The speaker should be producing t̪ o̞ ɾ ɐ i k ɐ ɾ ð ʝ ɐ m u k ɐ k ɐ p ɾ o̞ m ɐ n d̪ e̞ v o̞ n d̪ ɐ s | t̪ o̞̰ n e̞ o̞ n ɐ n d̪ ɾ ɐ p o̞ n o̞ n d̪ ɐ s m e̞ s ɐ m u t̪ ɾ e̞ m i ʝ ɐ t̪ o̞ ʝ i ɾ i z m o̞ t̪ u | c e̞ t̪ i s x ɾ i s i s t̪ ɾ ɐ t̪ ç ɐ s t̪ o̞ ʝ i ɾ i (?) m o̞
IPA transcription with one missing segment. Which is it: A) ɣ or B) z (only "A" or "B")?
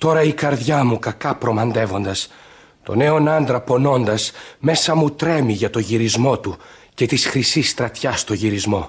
B